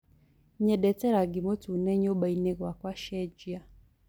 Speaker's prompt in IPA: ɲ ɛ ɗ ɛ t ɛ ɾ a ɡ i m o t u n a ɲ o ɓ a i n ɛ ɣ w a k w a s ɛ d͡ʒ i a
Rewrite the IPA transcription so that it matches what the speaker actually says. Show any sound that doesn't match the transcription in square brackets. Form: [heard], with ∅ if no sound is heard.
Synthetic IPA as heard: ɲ ɛ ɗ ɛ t ɛ ɾ a ɡ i m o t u n [ɛ] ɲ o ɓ a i n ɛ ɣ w a k w a [ʃ] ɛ d͡ʒ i a